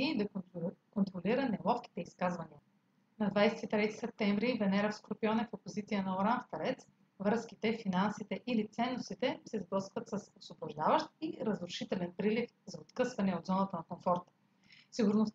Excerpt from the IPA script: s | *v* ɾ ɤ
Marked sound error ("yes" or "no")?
no